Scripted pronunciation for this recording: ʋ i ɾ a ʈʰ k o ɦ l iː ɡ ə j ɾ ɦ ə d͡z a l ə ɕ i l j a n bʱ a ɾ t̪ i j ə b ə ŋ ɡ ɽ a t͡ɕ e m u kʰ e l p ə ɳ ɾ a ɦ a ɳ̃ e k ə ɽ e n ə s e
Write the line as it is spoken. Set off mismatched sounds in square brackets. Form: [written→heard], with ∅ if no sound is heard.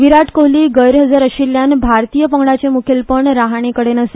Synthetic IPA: ʋ i ɾ a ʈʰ k o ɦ l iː ɡ ə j ɾ ɦ ə d͡z a [l→ɾ] ə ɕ i l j a n bʱ a ɾ t̪ i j ə [b→p] ə ŋ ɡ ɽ a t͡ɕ e m u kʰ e l p ə ɳ ɾ a ɦ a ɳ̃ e k ə ɽ e n ə s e